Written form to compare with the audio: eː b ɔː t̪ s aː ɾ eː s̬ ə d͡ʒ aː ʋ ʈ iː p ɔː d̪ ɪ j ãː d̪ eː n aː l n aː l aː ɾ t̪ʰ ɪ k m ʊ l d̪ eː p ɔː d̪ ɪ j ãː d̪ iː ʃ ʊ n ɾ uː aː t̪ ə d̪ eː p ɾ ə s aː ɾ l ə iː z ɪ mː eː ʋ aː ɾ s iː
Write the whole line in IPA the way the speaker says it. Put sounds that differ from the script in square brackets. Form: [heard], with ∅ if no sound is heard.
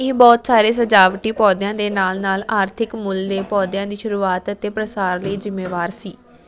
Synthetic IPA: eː b ɔː t̪ s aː ɾ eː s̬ ə d͡ʒ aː ʋ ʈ iː p ɔː d̪ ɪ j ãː d̪ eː n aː l n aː l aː ɾ t̪ʰ ɪ k m ʊ l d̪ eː p ɔː d̪ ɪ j ãː d̪ iː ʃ ʊ [∅] ɾ uː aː t̪ ə [t̪] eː p ɾ ə s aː ɾ l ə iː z ɪ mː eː ʋ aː ɾ s iː

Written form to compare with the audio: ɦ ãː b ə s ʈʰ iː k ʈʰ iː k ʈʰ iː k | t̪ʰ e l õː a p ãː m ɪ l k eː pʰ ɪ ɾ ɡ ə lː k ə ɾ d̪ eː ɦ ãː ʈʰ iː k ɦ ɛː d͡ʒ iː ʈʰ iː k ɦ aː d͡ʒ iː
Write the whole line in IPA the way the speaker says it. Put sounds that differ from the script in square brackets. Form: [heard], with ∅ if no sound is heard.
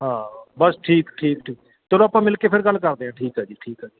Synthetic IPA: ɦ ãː b ə s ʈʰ iː k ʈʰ iː k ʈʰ iː k | [t̪] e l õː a p ãː m ɪ l k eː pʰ ɪ ɾ ɡ ə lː k ə ɾ d̪ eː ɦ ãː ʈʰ iː k ɦ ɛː d͡ʒ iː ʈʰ iː k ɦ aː d͡ʒ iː

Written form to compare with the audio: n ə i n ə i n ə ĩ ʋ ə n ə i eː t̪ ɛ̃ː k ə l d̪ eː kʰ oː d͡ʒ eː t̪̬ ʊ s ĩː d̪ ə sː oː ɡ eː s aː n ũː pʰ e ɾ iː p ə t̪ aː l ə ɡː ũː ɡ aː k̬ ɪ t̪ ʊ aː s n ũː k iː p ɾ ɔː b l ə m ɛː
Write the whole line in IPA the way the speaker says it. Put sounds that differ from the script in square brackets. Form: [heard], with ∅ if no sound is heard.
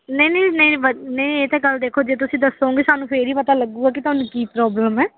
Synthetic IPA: n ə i n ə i n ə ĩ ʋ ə n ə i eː t̪ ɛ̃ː k ə l d̪ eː kʰ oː d͡ʒ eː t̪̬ ʊ s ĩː d̪ ə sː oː ɡ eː s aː n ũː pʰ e ɾ iː p ə t̪ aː l ə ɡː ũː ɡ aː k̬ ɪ t̪ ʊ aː [∅] n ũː k iː p ɾ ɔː b l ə m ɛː

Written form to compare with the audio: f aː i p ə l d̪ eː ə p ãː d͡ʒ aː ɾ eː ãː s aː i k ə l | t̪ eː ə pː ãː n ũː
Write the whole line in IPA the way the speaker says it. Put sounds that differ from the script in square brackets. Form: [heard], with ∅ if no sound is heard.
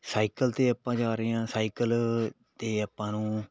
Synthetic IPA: [s] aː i [k] ə l [t̪] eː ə p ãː d͡ʒ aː ɾ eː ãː s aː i k ə l | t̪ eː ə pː ãː n ũː

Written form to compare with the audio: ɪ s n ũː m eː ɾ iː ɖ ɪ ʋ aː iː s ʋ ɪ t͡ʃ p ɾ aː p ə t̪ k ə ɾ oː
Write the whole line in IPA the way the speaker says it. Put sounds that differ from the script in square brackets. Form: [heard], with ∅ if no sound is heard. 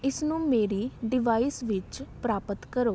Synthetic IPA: ɪ s n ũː m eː ɾ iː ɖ ɪ ʋ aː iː s ʋ ɪ t͡ʃ p ɾ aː p ə t̪ k ə ɾ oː

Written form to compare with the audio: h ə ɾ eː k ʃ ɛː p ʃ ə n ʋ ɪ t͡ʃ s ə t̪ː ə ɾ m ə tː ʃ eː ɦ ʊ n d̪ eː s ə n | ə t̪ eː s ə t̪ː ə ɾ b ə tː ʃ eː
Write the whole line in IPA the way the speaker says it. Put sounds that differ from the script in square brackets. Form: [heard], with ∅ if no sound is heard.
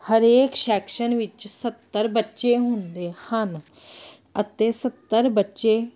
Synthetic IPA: h ə ɾ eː k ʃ ɛː [k] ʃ ə n ʋ ɪ t͡ʃ s ə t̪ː ə ɾ [b] ə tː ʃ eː ɦ ʊ n d̪ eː [h] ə n | ə t̪ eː s ə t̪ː ə ɾ b ə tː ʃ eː

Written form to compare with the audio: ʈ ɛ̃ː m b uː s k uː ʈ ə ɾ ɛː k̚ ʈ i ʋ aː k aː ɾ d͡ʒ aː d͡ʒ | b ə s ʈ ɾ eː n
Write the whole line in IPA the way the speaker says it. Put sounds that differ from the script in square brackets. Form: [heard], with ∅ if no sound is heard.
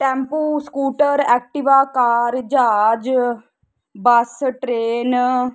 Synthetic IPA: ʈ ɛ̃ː m [p] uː s k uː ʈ ə ɾ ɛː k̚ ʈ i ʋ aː k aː ɾ d͡ʒ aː d͡ʒ | b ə s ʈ ɾ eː n

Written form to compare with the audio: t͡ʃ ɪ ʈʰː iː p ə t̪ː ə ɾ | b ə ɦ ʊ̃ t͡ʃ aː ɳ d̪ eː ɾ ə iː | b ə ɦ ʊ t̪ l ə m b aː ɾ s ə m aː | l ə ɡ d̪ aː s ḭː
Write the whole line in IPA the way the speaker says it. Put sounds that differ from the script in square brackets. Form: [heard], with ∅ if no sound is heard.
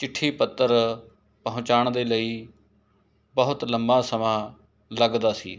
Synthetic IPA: t͡ʃ ɪ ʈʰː iː p ə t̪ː ə ɾ | [p] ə ɦ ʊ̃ t͡ʃ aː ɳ d̪ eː [l] ə iː | b ə ɦ ʊ t̪ l ə m b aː [∅] s ə m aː | l ə ɡ d̪ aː s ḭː

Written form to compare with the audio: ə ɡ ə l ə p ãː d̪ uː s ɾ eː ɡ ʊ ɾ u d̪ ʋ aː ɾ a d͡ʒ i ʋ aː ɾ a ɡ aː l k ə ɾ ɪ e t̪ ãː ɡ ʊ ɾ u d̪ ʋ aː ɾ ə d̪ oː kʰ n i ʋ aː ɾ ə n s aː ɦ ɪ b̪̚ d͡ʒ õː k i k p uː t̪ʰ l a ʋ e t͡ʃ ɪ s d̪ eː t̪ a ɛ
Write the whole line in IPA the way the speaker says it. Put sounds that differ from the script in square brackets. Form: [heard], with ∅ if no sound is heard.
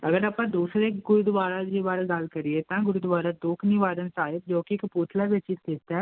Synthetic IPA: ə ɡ ə [ɾ] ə p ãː d̪ uː s ɾ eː ɡ ʊ ɾ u d̪ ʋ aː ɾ a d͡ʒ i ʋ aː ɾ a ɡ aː l k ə ɾ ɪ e t̪ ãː ɡ ʊ ɾ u d̪ ʋ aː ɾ [a] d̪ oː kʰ n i ʋ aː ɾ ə n s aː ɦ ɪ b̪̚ d͡ʒ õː k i k p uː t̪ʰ l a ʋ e t͡ʃ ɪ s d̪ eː t̪ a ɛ

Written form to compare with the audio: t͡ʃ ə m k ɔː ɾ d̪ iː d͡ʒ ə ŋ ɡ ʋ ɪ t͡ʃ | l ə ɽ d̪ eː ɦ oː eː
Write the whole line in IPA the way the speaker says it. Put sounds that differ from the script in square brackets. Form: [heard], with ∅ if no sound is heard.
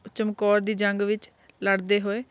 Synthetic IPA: t͡ʃ ə m k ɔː ɾ d̪ iː d͡ʒ ə ŋ ɡ ʋ ɪ t͡ʃ | l ə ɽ d̪ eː ɦ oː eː

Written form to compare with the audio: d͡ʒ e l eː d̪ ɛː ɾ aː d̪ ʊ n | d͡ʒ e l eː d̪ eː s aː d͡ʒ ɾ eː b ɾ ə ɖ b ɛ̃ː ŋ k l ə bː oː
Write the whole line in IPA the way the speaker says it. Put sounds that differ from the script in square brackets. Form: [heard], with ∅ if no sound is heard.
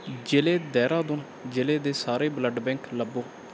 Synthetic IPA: d͡ʒ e l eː d̪ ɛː ɾ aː d̪ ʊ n | d͡ʒ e l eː d̪ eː s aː [∅] ɾ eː b [l] ə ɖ b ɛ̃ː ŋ k l ə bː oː

